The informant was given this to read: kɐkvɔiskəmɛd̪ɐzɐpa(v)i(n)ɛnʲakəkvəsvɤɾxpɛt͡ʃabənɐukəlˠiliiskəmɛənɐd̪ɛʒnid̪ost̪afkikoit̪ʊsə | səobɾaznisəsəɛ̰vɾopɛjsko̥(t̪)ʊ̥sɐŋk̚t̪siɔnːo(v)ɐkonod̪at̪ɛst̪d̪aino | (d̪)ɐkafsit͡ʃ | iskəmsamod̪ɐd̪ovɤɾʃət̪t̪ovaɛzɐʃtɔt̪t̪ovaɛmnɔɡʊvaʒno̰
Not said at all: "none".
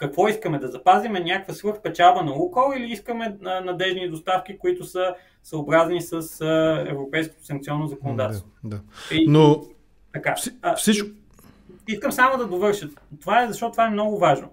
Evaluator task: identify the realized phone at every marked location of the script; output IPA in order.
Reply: z, m, t̪, z, t̪

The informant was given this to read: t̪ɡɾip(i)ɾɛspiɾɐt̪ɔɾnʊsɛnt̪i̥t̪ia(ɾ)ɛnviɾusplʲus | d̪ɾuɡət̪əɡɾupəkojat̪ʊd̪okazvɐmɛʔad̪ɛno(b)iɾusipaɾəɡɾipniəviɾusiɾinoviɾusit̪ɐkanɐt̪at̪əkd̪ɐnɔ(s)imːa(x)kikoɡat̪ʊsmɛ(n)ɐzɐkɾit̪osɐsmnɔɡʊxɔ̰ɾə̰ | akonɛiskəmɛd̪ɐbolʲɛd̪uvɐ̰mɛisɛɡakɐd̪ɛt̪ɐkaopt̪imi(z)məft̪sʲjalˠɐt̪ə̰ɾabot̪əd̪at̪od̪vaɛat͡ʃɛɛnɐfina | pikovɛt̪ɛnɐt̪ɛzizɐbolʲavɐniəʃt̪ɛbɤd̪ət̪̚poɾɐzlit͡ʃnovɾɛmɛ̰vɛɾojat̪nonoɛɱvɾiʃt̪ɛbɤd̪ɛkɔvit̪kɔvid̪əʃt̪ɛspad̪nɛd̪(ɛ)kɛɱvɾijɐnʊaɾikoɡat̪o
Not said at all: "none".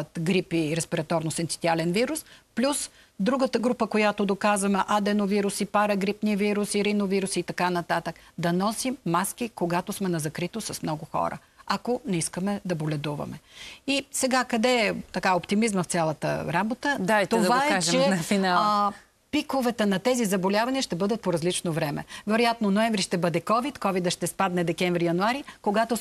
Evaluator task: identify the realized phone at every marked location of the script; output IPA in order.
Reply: i, l, v, s, s, n, z, ɛ

